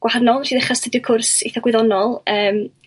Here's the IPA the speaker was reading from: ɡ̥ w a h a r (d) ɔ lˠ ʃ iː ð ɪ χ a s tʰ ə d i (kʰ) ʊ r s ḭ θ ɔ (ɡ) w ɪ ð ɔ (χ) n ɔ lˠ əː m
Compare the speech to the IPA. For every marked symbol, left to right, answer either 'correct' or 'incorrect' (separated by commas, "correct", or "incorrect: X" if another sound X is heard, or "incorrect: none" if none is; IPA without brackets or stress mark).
incorrect: n, correct, correct, incorrect: none